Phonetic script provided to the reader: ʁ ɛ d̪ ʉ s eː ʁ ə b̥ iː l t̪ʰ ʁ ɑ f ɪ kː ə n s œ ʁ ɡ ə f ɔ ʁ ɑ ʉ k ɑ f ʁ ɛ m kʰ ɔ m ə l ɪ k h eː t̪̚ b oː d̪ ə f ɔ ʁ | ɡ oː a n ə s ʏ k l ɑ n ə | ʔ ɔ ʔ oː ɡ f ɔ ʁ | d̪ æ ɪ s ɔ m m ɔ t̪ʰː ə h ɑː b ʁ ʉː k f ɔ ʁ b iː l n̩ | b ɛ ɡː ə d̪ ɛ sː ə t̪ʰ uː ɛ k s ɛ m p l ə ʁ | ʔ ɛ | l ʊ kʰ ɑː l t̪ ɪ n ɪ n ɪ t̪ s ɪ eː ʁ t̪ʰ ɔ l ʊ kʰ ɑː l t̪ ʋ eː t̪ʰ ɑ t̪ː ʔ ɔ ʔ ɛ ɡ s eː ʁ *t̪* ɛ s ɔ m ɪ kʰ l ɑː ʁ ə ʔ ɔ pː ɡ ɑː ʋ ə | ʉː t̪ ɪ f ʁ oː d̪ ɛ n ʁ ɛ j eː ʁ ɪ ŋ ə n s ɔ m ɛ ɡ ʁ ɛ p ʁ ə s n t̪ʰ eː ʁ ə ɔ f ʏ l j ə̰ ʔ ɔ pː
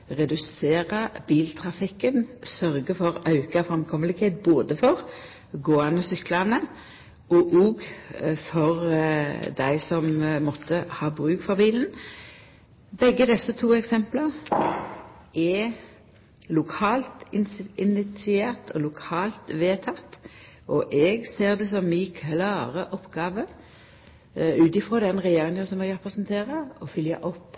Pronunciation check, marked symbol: incorrect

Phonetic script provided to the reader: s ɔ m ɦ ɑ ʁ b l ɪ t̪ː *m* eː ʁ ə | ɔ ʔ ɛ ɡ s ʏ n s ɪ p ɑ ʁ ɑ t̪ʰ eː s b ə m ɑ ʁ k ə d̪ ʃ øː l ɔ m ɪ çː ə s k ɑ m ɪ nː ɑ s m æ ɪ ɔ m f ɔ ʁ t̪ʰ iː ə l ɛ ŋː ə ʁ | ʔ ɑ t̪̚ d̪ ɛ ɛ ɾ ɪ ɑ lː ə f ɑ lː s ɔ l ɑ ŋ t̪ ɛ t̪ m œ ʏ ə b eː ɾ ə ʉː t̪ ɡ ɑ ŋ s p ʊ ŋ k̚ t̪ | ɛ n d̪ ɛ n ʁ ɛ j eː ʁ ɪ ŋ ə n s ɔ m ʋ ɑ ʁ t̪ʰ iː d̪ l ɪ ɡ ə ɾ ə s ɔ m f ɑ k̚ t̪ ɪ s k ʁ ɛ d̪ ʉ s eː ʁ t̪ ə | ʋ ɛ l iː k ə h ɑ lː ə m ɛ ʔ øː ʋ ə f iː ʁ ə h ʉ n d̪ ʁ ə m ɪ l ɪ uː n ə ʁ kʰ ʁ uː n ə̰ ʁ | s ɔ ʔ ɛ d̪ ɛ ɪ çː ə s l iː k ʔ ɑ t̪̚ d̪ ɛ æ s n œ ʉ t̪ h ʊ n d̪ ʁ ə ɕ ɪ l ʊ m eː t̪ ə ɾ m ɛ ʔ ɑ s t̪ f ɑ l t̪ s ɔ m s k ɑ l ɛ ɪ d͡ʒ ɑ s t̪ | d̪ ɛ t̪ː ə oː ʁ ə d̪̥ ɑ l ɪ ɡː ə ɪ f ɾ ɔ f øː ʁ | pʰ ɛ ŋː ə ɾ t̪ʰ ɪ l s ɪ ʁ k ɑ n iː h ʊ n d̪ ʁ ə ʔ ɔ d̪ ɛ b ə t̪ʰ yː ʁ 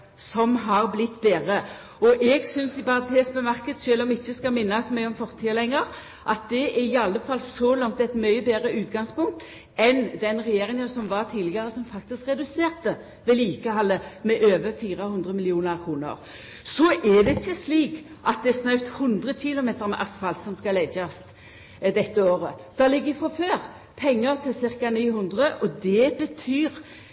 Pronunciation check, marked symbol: incorrect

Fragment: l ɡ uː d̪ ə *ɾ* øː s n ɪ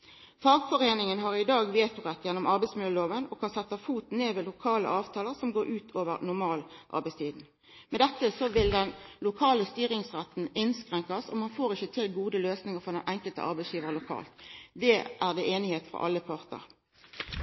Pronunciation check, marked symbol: incorrect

